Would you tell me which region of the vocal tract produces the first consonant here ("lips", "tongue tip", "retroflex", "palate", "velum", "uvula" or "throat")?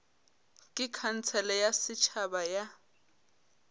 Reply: velum